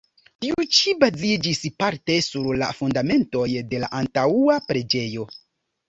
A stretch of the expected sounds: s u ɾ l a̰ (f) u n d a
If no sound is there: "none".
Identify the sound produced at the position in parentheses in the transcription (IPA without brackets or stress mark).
f